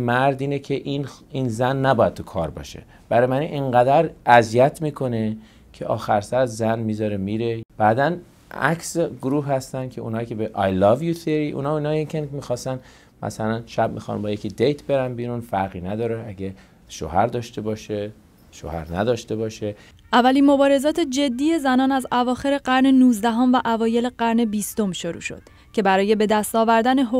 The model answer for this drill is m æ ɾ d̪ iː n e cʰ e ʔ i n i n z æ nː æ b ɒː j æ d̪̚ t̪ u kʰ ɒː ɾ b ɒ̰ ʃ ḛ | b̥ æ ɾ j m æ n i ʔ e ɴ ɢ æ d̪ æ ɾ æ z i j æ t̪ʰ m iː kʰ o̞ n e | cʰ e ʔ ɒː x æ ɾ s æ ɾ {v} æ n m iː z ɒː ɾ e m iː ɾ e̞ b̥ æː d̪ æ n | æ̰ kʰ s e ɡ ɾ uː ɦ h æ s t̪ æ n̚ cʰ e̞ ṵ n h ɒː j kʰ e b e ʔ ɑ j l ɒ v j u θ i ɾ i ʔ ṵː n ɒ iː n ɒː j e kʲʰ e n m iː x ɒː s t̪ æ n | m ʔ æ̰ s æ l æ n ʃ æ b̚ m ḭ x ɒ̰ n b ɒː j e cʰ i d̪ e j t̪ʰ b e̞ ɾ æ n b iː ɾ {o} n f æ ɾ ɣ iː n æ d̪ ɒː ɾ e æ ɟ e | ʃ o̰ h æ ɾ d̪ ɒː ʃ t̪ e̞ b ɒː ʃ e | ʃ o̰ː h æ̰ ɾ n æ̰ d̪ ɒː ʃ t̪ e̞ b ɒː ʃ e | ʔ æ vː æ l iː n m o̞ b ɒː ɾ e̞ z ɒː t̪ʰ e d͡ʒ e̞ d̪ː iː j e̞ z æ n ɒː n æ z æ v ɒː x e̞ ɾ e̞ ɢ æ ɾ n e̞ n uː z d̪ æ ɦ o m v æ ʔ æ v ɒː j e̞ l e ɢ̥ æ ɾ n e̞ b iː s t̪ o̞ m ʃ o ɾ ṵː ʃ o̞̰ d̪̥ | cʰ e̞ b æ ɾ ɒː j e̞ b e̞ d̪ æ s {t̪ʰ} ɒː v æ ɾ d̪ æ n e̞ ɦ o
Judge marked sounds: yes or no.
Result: no, no, no

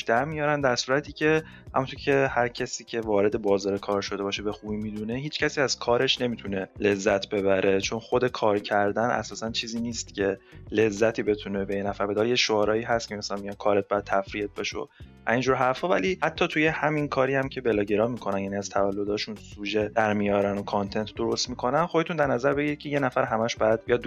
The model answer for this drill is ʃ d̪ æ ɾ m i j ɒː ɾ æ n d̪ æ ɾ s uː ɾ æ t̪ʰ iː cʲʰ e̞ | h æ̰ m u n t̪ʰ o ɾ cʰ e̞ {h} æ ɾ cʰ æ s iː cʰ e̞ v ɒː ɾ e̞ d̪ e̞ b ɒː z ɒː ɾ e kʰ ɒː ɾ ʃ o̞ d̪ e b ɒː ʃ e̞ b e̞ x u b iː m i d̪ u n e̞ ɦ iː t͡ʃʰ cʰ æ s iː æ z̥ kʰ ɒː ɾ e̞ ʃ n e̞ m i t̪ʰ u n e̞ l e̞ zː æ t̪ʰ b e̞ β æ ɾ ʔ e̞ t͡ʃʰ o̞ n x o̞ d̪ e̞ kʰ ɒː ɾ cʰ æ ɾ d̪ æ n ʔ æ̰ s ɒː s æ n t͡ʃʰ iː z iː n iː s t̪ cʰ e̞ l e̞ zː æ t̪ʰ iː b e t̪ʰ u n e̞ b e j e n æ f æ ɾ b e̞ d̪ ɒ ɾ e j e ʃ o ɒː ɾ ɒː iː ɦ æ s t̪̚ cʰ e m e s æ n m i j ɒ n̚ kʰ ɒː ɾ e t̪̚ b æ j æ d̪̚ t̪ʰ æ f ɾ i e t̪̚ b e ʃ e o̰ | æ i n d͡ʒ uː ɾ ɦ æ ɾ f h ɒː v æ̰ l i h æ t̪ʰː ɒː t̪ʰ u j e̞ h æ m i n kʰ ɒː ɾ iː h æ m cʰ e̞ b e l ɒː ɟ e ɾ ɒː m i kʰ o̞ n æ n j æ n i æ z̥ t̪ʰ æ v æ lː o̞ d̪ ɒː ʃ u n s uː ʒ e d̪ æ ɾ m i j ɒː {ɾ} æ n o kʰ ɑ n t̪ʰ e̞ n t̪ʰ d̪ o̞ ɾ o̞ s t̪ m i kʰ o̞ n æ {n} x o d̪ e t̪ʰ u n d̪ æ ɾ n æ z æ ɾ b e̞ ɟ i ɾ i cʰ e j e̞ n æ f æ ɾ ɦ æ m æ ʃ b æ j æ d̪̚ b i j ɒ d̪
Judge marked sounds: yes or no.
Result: yes, yes, yes

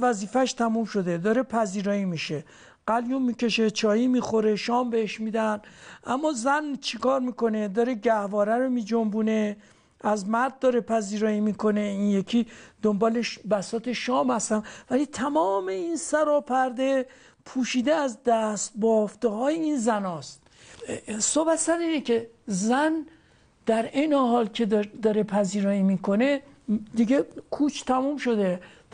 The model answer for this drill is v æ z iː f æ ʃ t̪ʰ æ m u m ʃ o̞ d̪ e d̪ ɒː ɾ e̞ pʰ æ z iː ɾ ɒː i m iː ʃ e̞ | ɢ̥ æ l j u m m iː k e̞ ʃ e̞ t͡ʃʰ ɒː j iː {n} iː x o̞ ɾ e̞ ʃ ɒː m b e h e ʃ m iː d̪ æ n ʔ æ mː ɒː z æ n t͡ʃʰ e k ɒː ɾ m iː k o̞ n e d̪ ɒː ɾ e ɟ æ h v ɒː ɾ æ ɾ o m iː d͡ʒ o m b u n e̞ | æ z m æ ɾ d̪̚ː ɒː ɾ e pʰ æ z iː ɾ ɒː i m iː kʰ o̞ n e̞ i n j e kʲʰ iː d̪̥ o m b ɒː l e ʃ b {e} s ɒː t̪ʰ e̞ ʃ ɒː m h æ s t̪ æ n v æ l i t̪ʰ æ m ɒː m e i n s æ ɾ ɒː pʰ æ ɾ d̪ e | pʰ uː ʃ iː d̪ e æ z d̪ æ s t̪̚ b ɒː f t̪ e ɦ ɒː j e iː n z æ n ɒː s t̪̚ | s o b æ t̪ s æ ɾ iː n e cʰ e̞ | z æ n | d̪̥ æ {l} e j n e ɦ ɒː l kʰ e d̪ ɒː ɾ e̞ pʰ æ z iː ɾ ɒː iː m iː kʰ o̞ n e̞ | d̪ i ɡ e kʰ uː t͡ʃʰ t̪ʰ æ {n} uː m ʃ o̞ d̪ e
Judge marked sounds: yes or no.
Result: no, no, no, no

